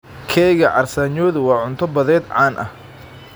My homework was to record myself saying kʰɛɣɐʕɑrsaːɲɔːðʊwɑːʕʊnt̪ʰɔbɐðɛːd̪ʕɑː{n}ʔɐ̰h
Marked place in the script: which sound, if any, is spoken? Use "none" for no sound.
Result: n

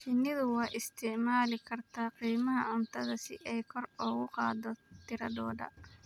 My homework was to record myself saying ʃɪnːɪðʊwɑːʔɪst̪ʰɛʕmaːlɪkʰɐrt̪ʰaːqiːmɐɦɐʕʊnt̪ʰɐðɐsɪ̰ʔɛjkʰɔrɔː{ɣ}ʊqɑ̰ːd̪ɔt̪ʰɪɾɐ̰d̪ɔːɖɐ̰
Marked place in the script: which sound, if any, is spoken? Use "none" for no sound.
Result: ɣ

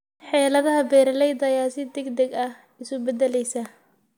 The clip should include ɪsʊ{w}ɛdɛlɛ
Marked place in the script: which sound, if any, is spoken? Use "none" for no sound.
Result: b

